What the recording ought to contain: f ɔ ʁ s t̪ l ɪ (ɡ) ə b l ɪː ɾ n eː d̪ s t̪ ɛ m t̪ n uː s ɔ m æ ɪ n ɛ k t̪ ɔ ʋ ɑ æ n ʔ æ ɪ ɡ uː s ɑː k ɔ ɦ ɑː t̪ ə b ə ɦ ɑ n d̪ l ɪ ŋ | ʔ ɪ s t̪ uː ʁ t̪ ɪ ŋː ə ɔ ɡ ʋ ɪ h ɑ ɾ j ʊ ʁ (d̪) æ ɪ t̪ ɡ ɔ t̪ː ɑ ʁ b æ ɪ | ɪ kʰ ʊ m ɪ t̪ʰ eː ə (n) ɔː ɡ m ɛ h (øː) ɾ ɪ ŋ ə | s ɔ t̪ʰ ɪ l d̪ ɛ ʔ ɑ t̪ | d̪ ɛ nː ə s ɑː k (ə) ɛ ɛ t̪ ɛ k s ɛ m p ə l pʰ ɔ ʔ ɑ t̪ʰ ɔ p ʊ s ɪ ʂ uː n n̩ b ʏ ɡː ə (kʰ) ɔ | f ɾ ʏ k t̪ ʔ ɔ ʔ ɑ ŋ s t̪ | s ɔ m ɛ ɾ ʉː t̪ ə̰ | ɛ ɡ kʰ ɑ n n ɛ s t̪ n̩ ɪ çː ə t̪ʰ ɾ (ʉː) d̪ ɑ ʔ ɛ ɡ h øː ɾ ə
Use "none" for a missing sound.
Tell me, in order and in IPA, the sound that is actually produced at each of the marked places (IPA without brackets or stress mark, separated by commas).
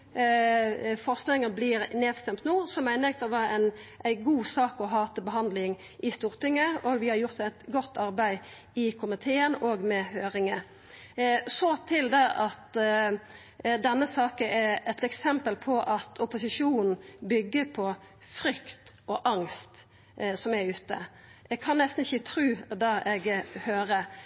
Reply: ŋ, t̪, n, øː, ə, pʰ, ʉː